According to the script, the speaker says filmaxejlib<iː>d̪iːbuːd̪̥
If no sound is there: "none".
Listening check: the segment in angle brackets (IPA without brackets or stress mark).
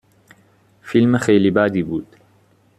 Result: aː